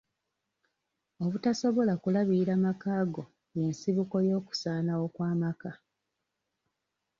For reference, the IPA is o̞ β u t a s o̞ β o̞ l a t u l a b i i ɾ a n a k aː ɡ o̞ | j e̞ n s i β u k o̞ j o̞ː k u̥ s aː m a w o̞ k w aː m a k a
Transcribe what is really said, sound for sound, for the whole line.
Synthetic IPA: o̞ β u t a s o̞ β o̞ l a k u l a β i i ɾ a m a k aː ɡ o̞ | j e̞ n s i β u k o̞ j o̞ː k u̥ s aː n a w o̞ k w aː m a k a

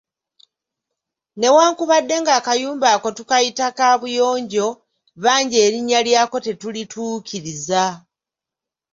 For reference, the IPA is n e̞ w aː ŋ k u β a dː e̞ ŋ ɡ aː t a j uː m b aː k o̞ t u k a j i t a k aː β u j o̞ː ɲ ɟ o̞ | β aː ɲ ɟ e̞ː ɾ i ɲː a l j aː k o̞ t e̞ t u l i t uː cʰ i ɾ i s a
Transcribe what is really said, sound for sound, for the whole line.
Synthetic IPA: n e̞ w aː ŋ k u β a dː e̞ ŋ ɡ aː k a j uː m b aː k o̞ t u k a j i t a k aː β u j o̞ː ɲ ɟ o̞ | β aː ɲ ɟ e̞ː ɾ i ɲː a l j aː k o̞ t e̞ t u l i t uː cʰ i ɾ i z a

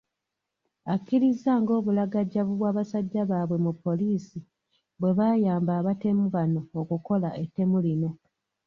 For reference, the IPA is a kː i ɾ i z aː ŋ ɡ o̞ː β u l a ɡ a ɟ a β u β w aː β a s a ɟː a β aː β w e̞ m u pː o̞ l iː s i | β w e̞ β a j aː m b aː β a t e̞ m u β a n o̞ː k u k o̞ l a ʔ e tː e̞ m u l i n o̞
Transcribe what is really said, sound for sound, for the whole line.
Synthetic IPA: a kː i ɾ i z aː ŋ ɡ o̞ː β u l a ɡ a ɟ a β u β w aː β a s a ɟː a β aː β w e̞ m u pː o̞ l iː s i | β w e̞ β a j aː m b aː β a t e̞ m u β a n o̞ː k u k o̞ l a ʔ e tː e̞ m u l i n o̞

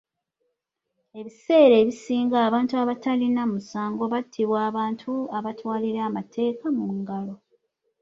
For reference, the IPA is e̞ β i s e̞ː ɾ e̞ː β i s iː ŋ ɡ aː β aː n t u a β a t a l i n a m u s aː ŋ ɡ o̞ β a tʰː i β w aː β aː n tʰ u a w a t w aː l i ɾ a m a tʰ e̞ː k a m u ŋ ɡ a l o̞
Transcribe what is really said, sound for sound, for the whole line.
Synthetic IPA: e̞ β i s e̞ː ɾ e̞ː β i s iː ŋ ɡ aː β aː n t u a β a t a l i n a m u s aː ŋ ɡ o̞ β a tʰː i β w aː β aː n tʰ u a β a t w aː l i ɾ a m a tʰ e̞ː k a m u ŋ ɡ a l o̞

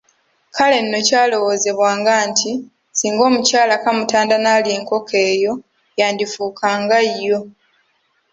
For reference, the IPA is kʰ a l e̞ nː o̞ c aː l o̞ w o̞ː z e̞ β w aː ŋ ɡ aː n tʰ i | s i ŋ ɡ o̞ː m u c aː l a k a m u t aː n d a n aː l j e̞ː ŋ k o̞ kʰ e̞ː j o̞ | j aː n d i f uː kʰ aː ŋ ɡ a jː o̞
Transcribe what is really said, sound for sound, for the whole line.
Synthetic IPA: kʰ a l e̞ nː o̞ c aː l o̞ w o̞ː z e̞ β w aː ŋ ɡ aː n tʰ i | s iː ŋ ɡ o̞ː m u c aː l a k a m u t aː n d a n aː l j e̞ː ŋ k o̞ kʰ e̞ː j o̞ | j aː n d i f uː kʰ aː ŋ ɡ a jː o̞

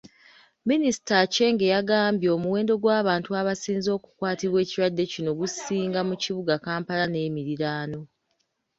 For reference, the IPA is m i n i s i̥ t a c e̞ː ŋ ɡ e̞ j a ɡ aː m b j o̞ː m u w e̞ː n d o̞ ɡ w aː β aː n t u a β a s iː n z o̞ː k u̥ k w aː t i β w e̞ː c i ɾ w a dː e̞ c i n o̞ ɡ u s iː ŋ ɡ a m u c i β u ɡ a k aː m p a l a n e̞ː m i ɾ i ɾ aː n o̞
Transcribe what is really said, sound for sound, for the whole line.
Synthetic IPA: m i n i s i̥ t a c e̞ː ŋ ɡ e̞ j a ɡ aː m b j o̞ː m u w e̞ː n d o̞ ɡ w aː β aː n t u a β a s iː n z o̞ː k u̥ k w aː t i β w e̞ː c i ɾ w a dː e̞ c i n o̞ ɡ u s iː ŋ ɡ a m u c i β u ɡ a k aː m p a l a n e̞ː m i ɾ i ɾ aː n o̞

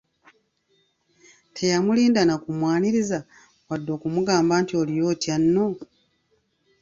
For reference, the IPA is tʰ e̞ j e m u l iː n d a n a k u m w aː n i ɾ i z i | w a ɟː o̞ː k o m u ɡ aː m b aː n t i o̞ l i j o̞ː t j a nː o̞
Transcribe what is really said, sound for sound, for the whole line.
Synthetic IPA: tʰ e̞ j a m u l iː n d a n a k u m w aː n i ɾ i z a | w a dː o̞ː k u m u ɡ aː m b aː n t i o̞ l i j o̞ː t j a nː o̞

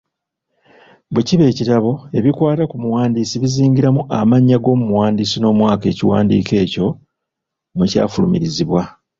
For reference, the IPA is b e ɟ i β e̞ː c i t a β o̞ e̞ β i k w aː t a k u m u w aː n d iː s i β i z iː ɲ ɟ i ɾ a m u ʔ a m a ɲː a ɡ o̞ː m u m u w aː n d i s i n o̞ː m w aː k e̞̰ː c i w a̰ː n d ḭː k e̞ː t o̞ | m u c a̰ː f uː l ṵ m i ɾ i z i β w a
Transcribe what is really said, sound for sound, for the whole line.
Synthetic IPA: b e c i β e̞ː c i t a β o̞ e̞ β i k w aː t a k u m u w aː n d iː s i β i z iː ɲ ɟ i ɾ a m u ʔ a m a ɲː a ɡ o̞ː m u m u w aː n d i s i n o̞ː m w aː k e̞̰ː c i w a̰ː n d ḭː k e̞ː c o̞ | m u c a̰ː f u l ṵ m i ɾ i z i β w a

